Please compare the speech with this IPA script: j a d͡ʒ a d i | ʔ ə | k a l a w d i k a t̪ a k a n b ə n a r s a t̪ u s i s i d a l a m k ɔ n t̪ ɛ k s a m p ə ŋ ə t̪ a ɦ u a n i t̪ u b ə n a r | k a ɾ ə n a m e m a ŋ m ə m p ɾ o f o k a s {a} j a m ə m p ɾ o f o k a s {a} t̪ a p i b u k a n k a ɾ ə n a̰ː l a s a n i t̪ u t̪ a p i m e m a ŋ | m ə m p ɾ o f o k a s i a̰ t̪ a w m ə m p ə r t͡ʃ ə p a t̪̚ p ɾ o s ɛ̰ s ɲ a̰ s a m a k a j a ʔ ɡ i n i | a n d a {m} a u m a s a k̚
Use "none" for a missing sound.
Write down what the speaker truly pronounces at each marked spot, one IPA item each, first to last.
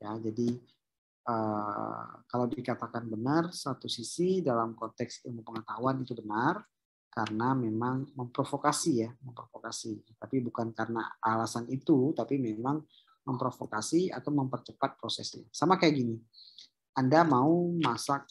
i, i, m

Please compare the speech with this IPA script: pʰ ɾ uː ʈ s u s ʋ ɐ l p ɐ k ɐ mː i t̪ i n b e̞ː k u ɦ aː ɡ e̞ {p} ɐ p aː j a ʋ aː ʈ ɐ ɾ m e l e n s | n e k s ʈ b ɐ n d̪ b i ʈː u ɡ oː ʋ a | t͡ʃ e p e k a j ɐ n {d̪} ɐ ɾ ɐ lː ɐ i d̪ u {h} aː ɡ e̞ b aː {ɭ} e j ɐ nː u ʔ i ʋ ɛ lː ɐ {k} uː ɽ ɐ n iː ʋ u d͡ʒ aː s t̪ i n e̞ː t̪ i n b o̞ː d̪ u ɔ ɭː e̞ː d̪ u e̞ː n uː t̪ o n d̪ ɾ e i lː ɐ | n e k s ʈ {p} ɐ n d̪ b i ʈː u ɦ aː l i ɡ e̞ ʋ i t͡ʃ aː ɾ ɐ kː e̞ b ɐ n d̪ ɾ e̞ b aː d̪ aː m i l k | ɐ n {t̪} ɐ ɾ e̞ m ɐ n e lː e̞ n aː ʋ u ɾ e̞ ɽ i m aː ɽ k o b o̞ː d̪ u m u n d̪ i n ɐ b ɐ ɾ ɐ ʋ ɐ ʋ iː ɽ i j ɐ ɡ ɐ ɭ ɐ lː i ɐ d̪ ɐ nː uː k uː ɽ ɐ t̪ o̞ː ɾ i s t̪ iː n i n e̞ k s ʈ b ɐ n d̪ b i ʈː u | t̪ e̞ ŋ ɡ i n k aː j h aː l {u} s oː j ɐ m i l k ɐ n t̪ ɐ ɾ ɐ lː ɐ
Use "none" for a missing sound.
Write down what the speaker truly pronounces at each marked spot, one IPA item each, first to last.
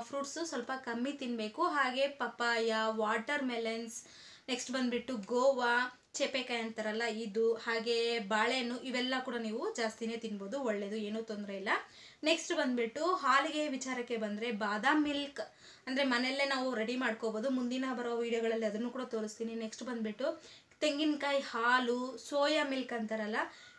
p, t̪, h, ɭ, k, b, d̪, u

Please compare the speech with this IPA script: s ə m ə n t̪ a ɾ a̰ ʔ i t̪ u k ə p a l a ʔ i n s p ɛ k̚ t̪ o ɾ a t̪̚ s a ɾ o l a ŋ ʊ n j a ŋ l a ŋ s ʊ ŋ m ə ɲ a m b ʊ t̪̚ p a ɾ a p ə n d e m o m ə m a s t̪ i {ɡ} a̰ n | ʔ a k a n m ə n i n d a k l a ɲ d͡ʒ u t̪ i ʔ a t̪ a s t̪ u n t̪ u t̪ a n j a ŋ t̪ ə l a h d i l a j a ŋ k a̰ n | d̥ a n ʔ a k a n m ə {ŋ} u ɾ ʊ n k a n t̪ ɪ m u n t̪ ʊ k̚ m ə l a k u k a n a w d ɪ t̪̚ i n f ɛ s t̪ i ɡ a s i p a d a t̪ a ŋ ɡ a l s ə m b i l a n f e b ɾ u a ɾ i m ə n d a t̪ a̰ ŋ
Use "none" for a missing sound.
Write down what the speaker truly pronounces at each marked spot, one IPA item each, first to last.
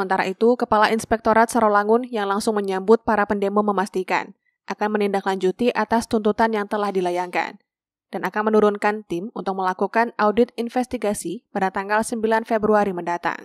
k, n

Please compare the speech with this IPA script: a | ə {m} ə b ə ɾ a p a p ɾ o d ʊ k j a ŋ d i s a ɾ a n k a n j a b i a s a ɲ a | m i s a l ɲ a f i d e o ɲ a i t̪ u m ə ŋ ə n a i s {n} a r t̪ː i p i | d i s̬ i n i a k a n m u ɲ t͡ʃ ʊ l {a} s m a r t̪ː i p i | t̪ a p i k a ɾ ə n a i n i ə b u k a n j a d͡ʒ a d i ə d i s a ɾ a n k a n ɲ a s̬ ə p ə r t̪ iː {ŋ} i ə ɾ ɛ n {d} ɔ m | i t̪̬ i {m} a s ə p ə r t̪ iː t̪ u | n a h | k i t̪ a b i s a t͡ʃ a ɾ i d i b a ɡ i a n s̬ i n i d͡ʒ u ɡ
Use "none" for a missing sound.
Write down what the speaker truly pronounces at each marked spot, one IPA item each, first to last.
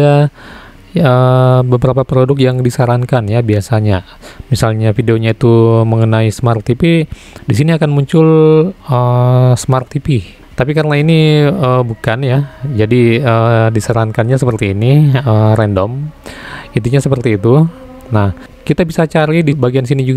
b, m, ə, n, d, ɲ

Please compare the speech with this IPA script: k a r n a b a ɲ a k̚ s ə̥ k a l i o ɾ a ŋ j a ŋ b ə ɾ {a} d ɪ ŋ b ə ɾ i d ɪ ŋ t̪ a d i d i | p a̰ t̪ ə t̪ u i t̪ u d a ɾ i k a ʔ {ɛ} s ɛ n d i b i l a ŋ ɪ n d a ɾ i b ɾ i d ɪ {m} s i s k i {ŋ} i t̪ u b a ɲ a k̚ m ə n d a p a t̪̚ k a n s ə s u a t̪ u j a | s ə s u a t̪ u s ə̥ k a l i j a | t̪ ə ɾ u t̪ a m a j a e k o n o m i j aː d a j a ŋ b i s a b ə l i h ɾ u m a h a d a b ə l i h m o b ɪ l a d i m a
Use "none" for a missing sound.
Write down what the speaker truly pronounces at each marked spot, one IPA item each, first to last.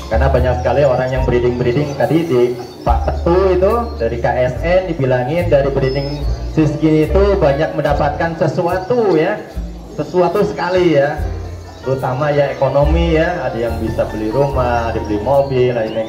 i, ɛ, ŋ, n

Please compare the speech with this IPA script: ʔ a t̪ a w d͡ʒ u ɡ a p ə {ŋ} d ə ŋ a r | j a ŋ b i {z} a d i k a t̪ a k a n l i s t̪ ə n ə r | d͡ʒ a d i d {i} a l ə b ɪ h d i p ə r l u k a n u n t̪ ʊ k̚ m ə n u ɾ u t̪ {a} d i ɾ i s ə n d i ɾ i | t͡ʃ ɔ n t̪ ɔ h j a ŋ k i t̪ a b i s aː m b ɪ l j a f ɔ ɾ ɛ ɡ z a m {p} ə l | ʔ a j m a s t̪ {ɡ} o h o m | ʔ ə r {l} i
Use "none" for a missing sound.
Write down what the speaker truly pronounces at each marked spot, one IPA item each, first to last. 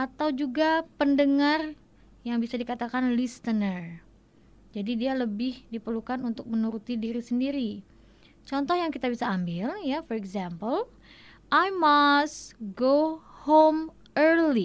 n, s, i, i, p, ɡ, l

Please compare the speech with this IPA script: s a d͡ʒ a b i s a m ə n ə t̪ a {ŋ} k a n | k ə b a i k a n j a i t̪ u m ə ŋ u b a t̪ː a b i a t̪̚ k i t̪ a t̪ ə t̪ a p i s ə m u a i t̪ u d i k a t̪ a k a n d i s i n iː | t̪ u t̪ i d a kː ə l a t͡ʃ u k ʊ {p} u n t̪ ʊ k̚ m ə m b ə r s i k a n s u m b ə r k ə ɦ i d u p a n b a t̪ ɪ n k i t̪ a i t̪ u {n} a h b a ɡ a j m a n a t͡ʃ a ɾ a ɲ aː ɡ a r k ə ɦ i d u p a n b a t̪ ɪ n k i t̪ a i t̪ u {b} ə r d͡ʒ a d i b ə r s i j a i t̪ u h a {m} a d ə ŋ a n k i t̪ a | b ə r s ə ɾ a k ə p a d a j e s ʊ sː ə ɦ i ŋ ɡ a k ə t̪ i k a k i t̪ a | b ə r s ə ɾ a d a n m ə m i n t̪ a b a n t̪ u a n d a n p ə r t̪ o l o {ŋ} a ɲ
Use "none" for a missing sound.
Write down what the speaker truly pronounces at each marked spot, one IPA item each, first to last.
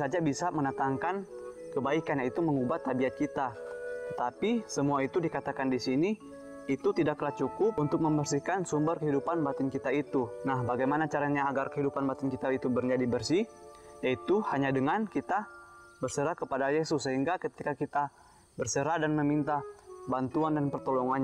ŋ, p, n, b, ɲ, ŋ

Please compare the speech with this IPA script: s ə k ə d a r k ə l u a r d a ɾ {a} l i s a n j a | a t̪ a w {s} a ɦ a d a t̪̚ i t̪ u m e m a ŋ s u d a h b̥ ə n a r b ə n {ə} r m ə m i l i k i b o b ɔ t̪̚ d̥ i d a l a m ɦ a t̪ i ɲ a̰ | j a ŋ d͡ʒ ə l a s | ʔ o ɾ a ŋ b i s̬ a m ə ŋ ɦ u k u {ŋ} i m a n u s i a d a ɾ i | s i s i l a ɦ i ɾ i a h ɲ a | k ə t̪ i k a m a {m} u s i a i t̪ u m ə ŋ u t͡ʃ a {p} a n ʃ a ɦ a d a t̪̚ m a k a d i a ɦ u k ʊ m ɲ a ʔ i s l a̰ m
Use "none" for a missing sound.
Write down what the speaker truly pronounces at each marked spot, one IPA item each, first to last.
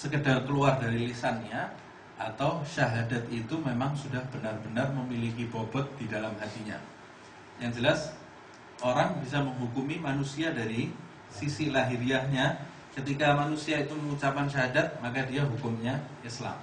i, ʃ, a, m, n, p

